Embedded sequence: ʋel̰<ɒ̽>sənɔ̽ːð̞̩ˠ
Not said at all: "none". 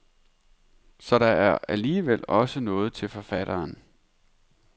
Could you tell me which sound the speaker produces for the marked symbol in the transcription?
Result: ɒ̽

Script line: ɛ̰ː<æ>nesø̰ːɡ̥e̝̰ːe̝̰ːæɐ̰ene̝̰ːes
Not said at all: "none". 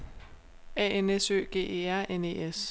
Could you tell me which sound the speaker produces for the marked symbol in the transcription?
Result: e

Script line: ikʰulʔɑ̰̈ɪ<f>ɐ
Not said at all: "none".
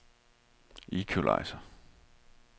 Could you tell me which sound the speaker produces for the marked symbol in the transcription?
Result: s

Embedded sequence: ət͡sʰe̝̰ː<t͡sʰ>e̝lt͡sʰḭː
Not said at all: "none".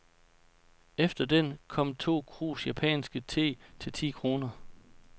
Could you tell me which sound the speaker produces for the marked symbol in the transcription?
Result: t͡sʰ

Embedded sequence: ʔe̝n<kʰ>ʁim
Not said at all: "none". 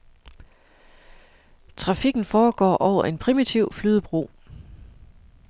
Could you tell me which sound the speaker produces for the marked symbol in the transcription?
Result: pʰ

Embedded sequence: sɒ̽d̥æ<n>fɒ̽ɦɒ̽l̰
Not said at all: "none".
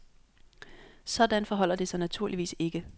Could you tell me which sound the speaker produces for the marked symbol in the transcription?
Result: n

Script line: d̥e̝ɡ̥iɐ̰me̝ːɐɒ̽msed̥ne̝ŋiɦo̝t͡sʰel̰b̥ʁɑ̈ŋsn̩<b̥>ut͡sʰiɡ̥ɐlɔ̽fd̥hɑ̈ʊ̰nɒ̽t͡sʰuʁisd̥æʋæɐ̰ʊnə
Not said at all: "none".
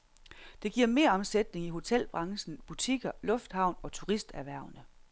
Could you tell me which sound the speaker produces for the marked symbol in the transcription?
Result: b̥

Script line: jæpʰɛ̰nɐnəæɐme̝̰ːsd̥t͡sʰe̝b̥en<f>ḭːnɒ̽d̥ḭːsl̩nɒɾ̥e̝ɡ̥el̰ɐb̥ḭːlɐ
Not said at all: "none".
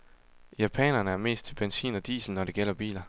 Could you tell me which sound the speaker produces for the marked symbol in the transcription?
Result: s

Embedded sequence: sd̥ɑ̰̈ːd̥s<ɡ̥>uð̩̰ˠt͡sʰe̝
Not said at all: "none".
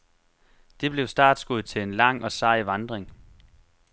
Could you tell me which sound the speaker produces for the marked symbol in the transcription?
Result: ɡ̥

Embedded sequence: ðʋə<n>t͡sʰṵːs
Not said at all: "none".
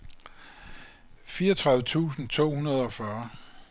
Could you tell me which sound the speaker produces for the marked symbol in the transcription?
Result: none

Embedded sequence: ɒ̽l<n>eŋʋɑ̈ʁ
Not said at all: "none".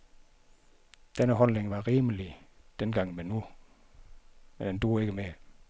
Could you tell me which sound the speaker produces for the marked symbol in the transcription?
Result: n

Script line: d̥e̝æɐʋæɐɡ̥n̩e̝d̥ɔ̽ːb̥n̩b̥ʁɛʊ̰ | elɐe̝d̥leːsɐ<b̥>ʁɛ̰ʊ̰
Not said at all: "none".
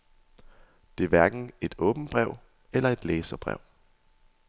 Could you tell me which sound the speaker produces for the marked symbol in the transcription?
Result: b̥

